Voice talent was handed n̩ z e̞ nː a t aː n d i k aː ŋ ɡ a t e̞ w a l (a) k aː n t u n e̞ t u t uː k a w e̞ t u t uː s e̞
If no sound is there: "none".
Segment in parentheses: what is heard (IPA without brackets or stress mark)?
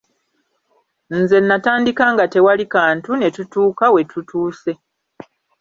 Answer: i